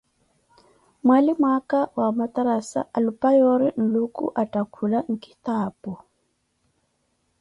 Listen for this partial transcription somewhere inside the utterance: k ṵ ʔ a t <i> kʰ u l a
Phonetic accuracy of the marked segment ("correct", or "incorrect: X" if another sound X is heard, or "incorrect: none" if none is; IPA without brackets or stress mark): incorrect: a